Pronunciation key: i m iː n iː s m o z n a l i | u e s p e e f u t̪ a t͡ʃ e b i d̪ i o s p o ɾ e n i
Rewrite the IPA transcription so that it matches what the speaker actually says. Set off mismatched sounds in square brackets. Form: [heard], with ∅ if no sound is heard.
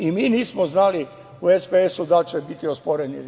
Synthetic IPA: i m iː n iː s m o z n a l i | u e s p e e [s] u [d̪] a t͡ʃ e b i [t̪] i o s p o ɾ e n i